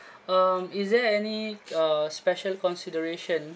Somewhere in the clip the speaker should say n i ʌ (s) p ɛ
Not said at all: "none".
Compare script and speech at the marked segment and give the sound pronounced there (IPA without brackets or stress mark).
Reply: s